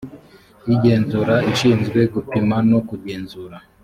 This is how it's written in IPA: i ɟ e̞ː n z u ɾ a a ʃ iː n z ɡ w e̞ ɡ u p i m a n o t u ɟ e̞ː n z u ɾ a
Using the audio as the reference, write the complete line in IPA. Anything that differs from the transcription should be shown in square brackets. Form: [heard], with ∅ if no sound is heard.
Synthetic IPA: i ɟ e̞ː n z u ɾ a [i] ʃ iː n z ɡ w e̞ ɡ u p i m a n o [k] u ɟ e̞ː n z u ɾ a

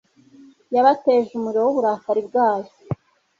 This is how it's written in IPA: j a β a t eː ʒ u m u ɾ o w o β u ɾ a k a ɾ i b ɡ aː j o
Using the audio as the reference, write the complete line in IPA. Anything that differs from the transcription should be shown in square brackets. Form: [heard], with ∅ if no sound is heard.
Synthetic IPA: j a β a t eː ʒ u m u ɾ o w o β u ɾ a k a ɾ i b ɡ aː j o

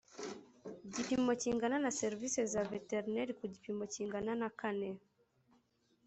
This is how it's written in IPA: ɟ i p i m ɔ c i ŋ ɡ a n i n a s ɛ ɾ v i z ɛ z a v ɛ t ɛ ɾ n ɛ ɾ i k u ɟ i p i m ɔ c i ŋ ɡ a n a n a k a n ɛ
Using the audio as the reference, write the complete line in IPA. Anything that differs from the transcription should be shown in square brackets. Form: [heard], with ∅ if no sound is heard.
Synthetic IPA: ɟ i p i m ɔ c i ŋ ɡ a n [a] n a s ɛ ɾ v i [s] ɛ z a v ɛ t ɛ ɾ n ɛ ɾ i k u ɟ i p i m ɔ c i ŋ ɡ a n a n a k a n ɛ

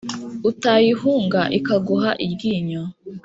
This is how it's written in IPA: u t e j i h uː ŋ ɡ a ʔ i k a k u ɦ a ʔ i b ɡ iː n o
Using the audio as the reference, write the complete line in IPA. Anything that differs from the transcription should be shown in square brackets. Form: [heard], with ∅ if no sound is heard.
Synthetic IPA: u t [a] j i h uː ŋ ɡ a ʔ i k a [ɡ] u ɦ a ʔ i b ɡ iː [ɲ] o

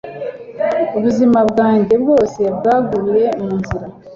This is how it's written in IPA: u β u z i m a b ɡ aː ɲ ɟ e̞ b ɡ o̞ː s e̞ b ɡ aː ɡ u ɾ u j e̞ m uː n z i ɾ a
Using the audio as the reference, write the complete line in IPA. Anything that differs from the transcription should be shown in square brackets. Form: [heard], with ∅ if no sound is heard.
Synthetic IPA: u β u z i m a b ɡ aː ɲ ɟ e̞ b ɡ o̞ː s e̞ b ɡ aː ɡ u ɾ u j e̞ m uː n z i ɾ a

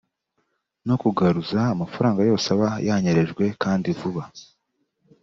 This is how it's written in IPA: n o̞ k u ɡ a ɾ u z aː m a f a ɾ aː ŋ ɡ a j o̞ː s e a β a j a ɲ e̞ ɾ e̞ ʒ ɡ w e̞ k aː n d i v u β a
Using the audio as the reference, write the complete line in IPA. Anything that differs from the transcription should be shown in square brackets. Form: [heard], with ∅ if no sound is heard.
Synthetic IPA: n o̞ k u ɡ a ɾ u z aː m a f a ɾ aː ŋ ɡ a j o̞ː s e a β a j a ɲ e̞ ɾ e̞ ʒ ɡ w e̞ k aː n d i v u β a

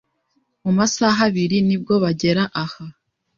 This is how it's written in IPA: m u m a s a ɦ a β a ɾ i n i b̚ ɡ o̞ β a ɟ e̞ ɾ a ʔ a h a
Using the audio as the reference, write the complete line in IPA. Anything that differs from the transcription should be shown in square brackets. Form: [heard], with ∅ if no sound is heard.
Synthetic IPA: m u m a s a ɦ a β [i] ɾ i n i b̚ ɡ o̞ β a ɟ e̞ ɾ a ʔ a h a

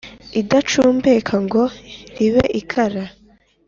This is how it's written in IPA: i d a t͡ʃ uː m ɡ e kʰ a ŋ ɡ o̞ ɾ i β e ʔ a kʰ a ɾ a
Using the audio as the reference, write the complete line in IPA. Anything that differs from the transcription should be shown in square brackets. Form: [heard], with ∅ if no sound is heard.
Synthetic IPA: i d a t͡ʃ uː m [b] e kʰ a ŋ ɡ o̞ ɾ i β e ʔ [i] kʰ a ɾ a

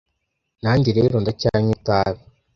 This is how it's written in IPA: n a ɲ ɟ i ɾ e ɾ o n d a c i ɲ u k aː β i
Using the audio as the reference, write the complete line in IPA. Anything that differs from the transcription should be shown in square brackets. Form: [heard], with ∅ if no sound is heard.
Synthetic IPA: n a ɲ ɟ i ɾ e ɾ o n d a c [a] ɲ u [t] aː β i

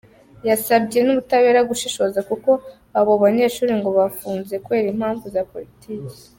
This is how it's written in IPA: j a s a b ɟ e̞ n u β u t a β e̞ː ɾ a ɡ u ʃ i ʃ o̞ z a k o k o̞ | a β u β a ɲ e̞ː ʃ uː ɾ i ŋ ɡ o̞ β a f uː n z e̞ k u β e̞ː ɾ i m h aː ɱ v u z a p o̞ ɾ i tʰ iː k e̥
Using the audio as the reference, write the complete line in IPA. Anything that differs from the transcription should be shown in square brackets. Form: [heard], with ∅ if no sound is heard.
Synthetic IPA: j a s a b ɟ e̞ n u β u t a β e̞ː ɾ a ɡ u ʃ i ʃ o̞ z a k [u] k o̞ | a β [o] β a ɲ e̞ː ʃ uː ɾ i ŋ ɡ o̞ β a f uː n z e̞ k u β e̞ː ɾ i m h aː ɱ v u z a p o̞ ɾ i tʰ iː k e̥

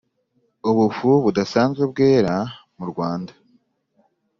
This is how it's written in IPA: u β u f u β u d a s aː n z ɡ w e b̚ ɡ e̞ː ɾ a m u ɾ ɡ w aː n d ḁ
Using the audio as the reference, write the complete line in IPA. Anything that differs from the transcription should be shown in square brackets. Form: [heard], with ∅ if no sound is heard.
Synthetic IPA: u β u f u β u d a s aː n z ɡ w e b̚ ɡ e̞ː ɾ a m u ɾ ɡ w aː n d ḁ

